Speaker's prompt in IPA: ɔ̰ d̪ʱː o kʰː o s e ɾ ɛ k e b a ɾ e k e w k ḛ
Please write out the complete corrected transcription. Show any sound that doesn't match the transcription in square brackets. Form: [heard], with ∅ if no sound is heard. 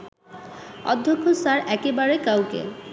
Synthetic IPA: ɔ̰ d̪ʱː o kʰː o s [a] ɾ ɛ k e b a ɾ e k [a] w k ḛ